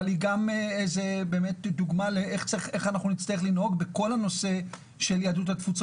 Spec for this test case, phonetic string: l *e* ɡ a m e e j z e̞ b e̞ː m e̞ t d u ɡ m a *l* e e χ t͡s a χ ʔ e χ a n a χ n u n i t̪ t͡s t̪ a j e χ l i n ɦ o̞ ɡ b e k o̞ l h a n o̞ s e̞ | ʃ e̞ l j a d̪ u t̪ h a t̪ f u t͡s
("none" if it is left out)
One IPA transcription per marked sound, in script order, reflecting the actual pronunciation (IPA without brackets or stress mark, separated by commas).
i, l